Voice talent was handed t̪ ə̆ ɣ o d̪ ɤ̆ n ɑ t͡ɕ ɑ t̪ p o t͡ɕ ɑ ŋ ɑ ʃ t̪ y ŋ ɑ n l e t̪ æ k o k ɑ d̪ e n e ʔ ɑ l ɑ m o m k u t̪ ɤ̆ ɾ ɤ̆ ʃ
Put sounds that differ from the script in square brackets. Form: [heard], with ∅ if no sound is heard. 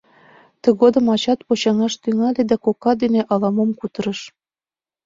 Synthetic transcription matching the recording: t̪ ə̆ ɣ o d̪ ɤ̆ [m] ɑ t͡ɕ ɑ t̪ p o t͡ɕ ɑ ŋ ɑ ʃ t̪ y ŋ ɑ [∅] l e [d̪] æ k o k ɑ d̪ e n e ʔ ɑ l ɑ m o m k u t̪ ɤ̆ ɾ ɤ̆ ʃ